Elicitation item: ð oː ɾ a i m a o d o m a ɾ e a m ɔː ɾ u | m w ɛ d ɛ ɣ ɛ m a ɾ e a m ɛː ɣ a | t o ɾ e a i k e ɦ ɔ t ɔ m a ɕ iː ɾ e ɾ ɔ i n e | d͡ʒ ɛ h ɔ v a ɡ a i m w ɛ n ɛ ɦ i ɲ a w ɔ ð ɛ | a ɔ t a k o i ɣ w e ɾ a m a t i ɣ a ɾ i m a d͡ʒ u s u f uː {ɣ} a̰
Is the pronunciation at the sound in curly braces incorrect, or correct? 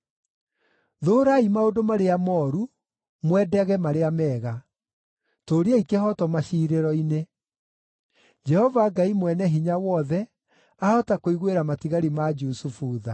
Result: incorrect